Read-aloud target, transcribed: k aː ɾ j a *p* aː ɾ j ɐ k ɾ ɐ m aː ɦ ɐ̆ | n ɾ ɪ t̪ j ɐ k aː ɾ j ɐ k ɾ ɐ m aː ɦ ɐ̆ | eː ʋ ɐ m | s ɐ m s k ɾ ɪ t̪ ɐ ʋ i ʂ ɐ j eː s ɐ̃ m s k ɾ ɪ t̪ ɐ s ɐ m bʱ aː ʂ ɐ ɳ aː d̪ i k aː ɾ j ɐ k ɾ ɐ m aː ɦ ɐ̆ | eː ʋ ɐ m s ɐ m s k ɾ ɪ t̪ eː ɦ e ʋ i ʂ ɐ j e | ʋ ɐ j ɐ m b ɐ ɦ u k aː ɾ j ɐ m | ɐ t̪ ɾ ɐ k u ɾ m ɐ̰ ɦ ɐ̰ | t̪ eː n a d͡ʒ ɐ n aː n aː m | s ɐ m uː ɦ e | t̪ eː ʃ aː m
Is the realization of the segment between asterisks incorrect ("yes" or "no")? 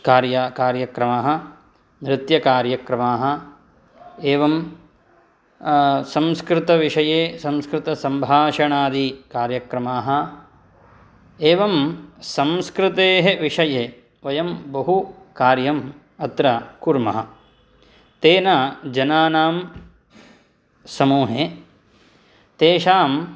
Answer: yes